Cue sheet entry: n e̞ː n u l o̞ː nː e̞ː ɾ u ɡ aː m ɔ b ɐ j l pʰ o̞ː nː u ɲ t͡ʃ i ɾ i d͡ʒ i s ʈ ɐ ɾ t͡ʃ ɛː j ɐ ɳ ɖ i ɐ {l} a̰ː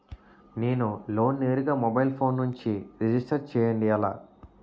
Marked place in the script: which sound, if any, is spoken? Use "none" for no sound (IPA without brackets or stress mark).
l